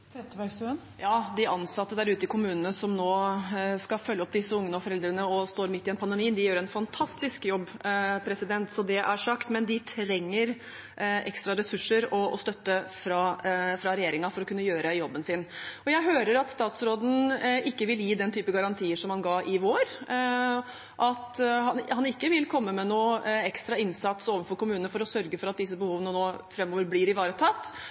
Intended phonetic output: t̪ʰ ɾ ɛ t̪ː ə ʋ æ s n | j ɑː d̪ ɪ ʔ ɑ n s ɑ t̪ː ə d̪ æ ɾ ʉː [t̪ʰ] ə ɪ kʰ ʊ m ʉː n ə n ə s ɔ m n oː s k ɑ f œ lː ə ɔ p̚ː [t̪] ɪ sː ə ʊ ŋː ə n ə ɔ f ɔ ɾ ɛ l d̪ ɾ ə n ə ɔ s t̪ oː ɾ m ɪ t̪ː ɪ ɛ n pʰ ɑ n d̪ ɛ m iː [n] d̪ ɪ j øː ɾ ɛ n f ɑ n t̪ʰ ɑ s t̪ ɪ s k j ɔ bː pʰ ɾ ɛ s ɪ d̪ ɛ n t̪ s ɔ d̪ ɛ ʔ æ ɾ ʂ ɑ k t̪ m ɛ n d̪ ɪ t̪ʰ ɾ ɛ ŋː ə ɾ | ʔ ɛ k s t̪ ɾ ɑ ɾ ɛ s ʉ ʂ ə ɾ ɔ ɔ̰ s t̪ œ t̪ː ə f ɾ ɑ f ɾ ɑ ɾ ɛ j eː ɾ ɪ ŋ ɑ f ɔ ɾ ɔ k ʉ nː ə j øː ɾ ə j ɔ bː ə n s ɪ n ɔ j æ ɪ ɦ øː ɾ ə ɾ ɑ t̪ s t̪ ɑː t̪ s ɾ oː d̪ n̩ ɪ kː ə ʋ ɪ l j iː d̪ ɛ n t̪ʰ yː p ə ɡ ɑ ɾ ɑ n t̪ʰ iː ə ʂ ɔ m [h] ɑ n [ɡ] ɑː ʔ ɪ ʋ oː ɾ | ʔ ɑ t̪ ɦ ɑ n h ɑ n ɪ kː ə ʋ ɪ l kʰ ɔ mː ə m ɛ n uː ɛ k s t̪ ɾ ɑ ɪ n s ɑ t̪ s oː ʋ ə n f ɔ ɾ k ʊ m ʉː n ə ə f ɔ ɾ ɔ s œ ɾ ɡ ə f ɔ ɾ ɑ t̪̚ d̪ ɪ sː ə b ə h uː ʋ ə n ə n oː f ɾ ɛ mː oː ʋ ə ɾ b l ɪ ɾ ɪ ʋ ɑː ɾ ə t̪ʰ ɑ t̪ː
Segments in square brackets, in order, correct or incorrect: incorrect: t̪, incorrect: d̪, correct, correct, correct

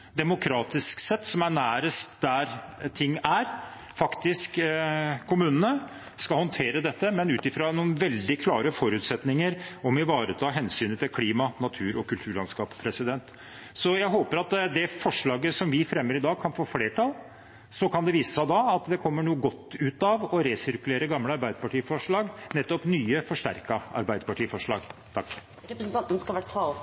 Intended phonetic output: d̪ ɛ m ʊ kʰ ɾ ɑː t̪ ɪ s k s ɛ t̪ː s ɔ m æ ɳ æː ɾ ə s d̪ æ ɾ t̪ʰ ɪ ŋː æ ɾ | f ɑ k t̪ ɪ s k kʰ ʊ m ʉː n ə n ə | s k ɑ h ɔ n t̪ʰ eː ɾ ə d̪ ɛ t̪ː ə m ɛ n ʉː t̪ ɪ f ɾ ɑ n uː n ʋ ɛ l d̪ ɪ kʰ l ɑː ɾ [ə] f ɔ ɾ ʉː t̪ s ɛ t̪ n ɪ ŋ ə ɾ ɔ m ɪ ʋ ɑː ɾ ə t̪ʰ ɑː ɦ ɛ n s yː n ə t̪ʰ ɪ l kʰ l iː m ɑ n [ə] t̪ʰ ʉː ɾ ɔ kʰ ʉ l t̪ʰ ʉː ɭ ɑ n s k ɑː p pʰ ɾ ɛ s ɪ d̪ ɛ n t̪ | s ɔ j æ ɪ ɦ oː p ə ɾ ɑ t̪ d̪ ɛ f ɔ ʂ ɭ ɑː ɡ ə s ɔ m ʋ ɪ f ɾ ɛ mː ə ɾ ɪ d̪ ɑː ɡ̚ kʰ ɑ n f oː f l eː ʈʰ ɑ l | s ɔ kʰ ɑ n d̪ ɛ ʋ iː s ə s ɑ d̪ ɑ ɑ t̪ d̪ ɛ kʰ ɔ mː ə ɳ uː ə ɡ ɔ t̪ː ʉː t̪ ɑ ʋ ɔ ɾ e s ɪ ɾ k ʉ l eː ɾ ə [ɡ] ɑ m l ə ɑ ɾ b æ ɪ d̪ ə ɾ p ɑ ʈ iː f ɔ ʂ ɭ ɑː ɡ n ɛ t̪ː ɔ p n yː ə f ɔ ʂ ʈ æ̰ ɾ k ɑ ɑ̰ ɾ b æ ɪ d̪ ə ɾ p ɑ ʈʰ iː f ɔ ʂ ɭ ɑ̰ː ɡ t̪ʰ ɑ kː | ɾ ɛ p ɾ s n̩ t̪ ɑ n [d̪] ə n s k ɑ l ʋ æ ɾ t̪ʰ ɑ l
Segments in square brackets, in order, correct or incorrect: correct, incorrect: ɑ, correct, incorrect: t̪

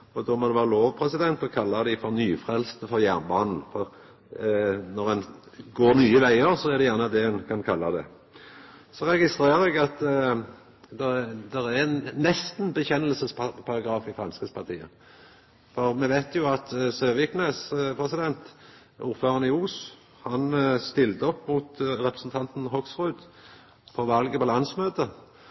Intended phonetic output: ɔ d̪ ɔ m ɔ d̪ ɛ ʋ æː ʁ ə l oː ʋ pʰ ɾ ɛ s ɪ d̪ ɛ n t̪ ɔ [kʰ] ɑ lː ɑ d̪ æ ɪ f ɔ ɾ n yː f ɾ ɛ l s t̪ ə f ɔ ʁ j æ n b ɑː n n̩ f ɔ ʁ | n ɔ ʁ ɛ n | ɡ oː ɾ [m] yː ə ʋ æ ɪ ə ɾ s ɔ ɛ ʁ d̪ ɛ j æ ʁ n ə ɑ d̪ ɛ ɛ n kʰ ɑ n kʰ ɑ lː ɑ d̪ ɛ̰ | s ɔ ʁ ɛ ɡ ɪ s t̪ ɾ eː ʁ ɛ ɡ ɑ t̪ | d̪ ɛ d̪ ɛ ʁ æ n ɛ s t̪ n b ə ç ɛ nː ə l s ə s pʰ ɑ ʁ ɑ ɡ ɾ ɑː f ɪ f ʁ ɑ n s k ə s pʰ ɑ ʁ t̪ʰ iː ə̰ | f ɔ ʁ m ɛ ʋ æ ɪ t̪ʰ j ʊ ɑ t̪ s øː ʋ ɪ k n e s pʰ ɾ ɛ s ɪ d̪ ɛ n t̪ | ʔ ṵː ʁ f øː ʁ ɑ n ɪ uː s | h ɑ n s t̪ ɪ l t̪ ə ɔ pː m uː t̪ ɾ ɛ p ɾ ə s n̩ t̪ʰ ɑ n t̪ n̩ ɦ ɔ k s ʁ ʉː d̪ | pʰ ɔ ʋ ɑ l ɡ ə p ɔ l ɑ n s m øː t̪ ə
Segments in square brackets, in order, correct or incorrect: correct, incorrect: n

